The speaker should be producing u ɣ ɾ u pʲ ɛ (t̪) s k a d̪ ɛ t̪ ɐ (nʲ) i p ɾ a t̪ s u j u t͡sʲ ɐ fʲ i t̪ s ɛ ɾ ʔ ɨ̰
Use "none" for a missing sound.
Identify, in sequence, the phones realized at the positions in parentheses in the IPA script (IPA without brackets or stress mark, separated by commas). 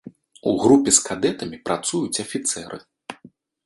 none, mʲ